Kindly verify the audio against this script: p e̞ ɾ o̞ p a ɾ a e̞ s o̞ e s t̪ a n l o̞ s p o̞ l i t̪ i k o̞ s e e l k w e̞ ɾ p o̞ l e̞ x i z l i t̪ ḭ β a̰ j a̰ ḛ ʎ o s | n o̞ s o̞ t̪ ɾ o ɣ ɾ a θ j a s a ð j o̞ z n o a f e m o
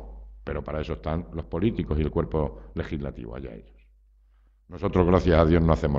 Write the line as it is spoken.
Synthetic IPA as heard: p e̞ ɾ o̞ p a ɾ a e̞ s o̞ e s t̪ a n l o̞ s p o̞ l i t̪ i k o̞ s i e l k w e̞ ɾ p o̞ l e̞ x i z l a t̪ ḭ β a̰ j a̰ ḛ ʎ o s | n o̞ s o̞ t̪ ɾ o ɣ ɾ a θ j a s a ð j o̞ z n o a θ e m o